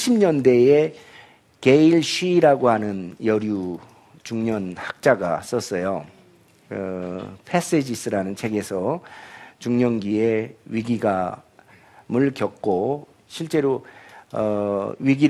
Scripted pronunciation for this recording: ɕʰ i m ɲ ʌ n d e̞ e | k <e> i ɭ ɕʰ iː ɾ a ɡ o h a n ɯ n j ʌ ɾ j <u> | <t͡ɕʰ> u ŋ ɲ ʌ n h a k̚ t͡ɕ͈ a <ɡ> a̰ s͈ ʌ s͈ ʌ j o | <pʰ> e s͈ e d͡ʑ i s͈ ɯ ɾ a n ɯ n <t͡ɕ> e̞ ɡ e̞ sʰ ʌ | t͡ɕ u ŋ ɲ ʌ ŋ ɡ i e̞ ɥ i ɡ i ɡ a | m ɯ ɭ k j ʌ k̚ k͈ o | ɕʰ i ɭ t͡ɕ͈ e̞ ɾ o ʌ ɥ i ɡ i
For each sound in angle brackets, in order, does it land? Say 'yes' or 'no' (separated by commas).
yes, yes, no, yes, yes, no